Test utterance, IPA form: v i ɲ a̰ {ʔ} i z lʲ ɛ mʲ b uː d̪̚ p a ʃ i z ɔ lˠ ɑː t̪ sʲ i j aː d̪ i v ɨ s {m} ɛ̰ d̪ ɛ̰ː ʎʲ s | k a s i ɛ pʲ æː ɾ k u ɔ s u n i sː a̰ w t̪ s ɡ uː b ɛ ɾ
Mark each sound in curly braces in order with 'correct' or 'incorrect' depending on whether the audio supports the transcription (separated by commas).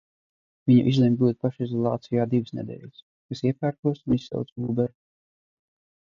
correct, incorrect